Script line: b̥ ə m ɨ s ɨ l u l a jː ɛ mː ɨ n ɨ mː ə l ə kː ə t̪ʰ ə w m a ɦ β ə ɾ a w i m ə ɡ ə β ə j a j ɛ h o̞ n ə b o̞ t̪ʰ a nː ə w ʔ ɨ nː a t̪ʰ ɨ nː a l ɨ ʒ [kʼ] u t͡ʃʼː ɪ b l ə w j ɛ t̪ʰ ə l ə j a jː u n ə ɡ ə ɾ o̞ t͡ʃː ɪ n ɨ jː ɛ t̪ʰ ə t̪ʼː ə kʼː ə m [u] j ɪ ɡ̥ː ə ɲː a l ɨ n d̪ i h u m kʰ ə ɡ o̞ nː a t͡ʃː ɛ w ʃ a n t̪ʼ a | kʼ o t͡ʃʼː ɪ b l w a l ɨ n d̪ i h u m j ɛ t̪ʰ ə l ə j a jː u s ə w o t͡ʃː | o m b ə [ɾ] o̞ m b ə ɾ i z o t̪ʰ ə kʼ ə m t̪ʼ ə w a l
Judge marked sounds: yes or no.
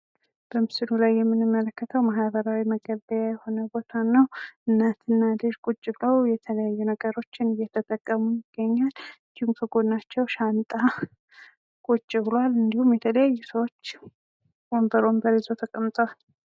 yes, yes, yes

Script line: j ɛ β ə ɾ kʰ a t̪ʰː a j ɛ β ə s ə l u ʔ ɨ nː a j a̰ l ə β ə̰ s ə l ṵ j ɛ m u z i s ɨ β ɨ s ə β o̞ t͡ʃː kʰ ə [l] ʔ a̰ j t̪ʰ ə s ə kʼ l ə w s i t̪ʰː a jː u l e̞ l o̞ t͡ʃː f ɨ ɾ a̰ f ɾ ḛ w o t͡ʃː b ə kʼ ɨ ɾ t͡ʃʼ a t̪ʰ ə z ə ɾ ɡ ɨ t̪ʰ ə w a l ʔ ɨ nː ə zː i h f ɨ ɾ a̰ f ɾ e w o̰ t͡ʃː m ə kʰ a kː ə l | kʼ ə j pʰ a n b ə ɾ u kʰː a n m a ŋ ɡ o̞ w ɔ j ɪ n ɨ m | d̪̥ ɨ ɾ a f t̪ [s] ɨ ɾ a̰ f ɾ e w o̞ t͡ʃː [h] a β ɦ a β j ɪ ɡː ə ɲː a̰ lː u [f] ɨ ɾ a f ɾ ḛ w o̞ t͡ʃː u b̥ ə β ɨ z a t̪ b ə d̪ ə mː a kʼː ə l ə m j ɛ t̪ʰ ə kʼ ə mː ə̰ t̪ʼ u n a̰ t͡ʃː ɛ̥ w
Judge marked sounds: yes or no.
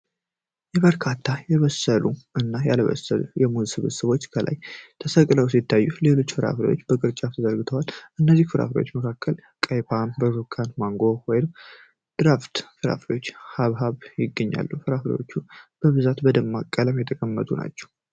yes, no, yes, yes

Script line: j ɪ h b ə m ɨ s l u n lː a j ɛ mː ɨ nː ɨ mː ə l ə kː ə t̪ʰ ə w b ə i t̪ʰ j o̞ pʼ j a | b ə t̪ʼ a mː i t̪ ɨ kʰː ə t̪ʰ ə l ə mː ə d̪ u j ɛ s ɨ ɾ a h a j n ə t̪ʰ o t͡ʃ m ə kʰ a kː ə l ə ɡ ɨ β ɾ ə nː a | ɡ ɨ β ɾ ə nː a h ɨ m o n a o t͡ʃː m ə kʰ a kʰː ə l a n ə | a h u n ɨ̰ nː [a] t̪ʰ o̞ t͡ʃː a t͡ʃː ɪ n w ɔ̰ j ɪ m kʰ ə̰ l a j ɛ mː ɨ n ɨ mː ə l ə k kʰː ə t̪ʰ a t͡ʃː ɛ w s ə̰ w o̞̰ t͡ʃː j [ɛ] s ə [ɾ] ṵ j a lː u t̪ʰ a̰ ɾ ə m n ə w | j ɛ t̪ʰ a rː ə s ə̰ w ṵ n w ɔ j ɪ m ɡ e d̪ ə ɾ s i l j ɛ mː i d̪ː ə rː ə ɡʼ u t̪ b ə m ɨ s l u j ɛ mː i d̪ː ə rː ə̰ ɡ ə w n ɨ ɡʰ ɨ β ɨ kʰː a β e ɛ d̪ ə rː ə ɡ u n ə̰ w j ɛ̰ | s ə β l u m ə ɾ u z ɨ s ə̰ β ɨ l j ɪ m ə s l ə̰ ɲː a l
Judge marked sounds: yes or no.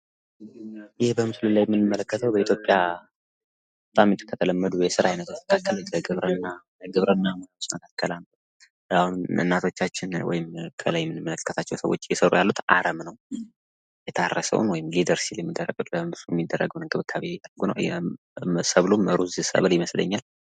yes, yes, yes

